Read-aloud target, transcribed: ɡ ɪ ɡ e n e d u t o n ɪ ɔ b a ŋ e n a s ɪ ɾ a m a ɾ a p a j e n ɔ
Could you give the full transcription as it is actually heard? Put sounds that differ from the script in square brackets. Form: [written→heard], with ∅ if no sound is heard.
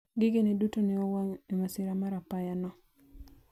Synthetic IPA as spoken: ɡ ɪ ɡ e n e d u t o n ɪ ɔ [b→w] a ŋ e [n→m] a s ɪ ɾ a m a ɾ a p a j [e→a] n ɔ